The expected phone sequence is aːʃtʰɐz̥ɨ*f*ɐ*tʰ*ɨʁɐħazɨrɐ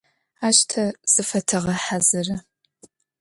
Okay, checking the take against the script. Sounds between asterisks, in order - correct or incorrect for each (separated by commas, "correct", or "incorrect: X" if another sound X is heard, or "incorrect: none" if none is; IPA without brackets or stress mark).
correct, correct